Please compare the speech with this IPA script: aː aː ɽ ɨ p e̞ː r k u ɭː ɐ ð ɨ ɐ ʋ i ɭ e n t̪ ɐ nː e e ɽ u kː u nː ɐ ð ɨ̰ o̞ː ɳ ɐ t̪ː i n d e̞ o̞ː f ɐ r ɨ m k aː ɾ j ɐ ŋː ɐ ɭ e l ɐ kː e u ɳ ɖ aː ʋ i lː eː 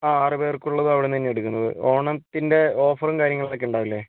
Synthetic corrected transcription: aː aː r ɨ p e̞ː r k u ɭː ɐ ð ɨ ɐ ʋ i ɽ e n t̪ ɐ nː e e ɽ u kː u nː ɐ ð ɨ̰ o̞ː ɳ ɐ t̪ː i n d e̞ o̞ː f ɐ r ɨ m k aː ɾ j ɐ ŋː ɐ ɭ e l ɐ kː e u ɳ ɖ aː ʋ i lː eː

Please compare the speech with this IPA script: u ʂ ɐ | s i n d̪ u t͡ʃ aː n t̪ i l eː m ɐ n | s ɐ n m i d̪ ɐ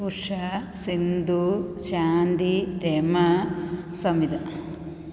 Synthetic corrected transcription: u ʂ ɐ | s i n d̪ u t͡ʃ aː n d̪ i ɾ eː m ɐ | s ɐ m i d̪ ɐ

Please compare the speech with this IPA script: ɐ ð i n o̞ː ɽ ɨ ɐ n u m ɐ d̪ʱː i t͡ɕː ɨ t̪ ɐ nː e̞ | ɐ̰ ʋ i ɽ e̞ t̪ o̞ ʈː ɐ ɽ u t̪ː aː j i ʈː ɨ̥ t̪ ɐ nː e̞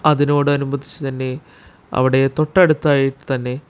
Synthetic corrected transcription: ɐ ð i n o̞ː ɽ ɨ ɐ n u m ɐ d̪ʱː i t͡ɕː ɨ t̪ ɐ nː e̞ | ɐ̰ ʋ i ɽ e̞ t̪ o̞ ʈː ɐ ɽ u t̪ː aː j i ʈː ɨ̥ t̪ ɐ nː e̞

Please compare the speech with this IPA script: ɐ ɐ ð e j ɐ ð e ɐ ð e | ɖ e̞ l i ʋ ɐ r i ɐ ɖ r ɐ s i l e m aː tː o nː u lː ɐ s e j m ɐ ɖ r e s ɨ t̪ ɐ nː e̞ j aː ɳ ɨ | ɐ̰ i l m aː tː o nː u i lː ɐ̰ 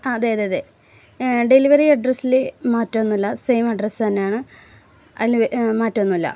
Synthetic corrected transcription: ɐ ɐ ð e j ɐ ð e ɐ ð e | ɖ e̞ l i ʋ ɐ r i ɐ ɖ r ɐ s i l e m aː tː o nː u lː ɐ s e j m ɐ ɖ r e s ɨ t̪ ɐ nː e̞ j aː ɳ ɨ | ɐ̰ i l m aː tː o nː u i lː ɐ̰

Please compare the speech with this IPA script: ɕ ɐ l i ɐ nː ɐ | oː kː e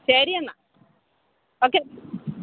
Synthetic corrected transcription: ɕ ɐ ɾ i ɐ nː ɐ | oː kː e

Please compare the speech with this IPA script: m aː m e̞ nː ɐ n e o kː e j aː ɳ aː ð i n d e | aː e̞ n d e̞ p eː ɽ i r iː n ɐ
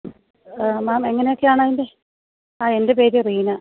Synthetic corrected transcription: m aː m e̞ ŋː ɐ n e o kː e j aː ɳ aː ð i n d e | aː e̞ n d e̞ p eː ɾ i r iː n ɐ

